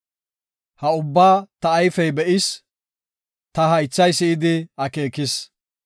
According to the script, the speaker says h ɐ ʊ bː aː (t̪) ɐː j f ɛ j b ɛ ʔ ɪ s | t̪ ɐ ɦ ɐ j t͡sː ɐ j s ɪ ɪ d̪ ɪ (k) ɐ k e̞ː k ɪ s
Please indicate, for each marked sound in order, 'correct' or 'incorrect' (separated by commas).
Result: correct, incorrect